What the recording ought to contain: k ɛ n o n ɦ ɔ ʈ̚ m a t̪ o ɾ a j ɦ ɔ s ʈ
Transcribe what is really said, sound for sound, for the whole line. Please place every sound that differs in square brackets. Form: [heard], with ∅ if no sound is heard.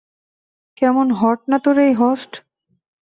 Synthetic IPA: k ɛ [m] o n ɦ ɔ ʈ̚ [n] a t̪ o ɾ [e] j ɦ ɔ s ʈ